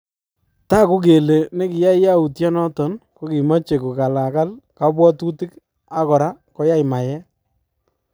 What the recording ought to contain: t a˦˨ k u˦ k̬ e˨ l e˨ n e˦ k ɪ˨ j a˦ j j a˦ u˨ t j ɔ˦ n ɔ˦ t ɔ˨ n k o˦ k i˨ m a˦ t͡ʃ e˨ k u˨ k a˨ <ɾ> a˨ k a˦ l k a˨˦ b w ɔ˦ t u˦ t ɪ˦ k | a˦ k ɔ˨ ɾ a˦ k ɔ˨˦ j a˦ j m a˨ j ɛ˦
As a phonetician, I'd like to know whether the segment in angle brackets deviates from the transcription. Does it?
yes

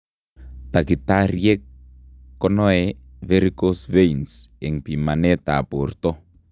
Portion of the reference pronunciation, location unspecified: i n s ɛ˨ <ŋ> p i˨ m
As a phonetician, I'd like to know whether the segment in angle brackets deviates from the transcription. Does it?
no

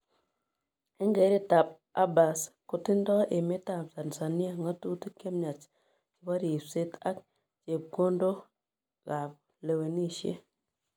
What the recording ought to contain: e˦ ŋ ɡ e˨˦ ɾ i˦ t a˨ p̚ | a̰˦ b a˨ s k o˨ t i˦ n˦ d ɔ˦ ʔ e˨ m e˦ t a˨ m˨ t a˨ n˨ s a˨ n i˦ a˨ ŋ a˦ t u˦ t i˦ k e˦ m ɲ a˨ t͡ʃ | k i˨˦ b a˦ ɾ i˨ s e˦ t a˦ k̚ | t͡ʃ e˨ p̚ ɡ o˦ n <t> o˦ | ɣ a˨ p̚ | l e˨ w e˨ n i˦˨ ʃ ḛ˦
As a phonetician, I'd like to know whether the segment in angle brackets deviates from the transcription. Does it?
yes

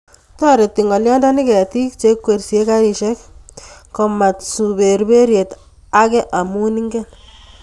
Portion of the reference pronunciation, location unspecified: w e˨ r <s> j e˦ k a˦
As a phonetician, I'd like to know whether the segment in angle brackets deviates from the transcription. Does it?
no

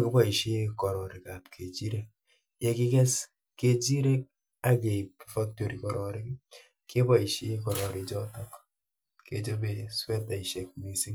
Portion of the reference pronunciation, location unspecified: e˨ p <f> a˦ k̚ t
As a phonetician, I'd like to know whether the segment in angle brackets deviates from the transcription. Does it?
no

